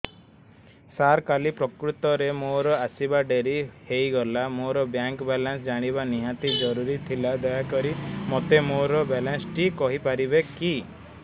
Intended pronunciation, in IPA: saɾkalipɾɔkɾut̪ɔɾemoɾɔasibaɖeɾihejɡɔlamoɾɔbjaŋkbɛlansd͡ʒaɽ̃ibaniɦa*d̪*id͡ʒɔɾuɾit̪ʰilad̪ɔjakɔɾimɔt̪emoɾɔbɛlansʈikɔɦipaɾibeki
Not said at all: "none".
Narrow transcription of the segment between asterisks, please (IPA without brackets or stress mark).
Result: t̪